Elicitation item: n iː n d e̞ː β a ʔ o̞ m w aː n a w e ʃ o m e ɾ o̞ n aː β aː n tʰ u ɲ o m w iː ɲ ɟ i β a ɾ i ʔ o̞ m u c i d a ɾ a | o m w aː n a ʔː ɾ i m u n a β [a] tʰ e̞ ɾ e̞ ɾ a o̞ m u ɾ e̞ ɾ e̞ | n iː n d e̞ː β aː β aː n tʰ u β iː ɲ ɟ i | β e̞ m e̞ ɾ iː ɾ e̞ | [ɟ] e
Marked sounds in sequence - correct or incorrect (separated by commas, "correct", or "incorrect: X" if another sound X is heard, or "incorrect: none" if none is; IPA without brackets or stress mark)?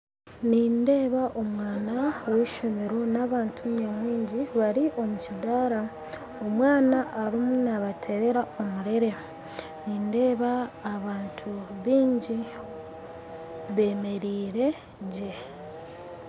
correct, correct